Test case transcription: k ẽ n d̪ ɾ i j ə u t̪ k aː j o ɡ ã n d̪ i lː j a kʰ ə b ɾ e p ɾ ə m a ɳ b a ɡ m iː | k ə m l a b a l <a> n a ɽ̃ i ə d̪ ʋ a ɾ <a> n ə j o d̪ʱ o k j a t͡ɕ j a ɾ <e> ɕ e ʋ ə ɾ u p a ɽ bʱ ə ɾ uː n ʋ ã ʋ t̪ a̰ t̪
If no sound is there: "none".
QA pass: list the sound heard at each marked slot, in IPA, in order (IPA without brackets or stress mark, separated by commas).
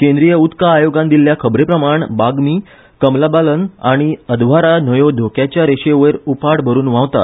ə, a, e